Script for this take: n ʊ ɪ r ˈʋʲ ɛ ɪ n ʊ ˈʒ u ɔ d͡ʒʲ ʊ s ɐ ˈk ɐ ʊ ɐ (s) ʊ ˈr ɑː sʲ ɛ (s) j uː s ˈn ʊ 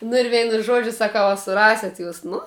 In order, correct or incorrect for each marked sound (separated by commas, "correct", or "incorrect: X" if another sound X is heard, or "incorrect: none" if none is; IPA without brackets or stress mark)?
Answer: correct, incorrect: t